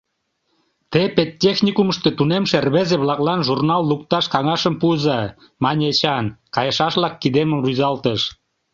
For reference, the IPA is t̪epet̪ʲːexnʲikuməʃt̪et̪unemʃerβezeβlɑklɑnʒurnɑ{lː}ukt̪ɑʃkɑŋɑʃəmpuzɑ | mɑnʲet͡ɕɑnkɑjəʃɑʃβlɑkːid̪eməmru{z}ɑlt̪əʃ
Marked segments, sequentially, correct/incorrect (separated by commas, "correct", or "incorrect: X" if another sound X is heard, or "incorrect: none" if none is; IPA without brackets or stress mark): correct, correct